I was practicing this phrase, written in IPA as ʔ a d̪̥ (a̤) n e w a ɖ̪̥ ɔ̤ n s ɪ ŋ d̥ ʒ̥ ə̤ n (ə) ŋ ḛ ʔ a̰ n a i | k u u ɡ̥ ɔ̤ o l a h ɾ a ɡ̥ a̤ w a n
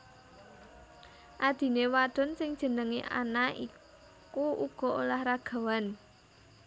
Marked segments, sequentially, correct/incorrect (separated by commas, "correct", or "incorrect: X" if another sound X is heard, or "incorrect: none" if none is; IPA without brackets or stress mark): incorrect: i̤, correct